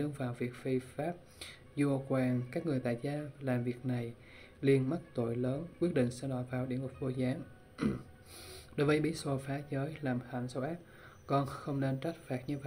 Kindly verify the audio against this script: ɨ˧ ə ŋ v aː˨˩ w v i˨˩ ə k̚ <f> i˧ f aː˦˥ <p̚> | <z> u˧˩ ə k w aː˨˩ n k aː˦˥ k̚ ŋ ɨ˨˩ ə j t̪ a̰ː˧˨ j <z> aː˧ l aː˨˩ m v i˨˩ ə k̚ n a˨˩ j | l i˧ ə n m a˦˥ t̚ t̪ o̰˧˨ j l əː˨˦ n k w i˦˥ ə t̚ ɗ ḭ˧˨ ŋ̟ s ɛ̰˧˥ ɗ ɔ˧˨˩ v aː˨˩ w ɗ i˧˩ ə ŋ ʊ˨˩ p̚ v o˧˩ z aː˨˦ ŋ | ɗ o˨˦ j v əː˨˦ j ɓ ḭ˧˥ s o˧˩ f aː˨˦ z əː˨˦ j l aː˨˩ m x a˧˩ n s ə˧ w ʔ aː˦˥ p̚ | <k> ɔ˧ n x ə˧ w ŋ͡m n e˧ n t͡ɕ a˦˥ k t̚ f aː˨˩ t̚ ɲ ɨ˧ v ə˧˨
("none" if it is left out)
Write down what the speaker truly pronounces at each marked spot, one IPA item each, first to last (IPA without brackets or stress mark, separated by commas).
f, p̚, z, z, k